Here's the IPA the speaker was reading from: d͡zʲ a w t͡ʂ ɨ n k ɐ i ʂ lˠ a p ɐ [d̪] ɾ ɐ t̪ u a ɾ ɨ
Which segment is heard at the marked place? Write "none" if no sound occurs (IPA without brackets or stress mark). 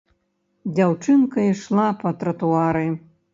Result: t̪